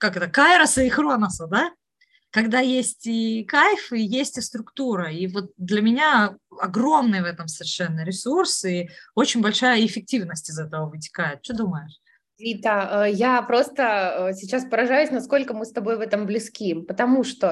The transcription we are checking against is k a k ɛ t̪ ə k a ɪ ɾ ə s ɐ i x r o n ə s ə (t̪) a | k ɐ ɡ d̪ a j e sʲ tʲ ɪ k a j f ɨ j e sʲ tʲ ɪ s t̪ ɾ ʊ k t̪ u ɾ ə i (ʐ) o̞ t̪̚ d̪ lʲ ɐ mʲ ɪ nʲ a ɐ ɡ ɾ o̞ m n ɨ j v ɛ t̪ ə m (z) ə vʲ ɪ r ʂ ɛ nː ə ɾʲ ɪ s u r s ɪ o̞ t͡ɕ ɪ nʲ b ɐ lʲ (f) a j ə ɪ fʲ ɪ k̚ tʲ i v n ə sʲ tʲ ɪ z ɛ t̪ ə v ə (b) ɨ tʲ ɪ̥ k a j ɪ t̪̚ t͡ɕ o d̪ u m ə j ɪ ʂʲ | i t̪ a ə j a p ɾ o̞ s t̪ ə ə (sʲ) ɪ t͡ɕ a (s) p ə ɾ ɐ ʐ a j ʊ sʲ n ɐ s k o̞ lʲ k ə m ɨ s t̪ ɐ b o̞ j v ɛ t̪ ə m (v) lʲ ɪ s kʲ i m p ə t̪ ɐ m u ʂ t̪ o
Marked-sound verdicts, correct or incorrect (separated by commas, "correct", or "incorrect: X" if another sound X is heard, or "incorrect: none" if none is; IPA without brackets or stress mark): incorrect: d̪, incorrect: v, incorrect: s, incorrect: ʂ, incorrect: v, correct, correct, incorrect: b